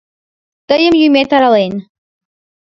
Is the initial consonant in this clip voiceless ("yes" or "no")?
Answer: yes